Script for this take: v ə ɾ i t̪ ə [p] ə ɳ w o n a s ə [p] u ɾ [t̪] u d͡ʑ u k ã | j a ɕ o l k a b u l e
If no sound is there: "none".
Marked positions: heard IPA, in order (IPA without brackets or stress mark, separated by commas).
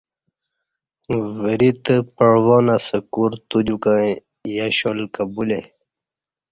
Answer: p, k, t̪